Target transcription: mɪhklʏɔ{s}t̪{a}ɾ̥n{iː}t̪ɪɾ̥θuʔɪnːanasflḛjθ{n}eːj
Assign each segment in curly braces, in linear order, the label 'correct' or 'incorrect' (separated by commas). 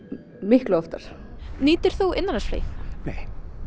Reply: incorrect, correct, correct, correct